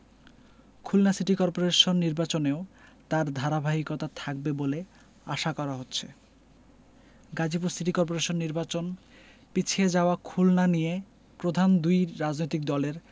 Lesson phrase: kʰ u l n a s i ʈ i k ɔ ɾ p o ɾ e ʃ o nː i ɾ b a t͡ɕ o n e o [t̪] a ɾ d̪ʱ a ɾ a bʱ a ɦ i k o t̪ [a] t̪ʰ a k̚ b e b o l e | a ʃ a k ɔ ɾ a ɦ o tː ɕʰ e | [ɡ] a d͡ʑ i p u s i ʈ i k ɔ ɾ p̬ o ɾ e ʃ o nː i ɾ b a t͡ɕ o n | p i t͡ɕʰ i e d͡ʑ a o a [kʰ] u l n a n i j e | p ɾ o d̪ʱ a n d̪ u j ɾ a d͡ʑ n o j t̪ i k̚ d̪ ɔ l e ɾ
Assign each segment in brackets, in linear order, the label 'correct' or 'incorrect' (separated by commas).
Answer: correct, correct, correct, correct